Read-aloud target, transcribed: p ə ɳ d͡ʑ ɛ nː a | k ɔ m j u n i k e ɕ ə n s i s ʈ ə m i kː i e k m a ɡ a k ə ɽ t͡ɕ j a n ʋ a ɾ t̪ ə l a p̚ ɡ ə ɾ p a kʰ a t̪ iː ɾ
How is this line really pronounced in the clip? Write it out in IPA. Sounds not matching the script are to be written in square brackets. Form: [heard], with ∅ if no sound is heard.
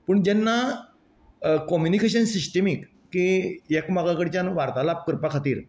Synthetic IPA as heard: p ə ɳ d͡ʑ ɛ nː a | k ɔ m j u n i k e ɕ ə n s i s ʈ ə m i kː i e k m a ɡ a k ə ɽ t͡ɕ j a n ʋ a ɾ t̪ [a] l a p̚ [k] ə ɾ p a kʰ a t̪ iː ɾ